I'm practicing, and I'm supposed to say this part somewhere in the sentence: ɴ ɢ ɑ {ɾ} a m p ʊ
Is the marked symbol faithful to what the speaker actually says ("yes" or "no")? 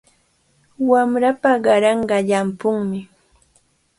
no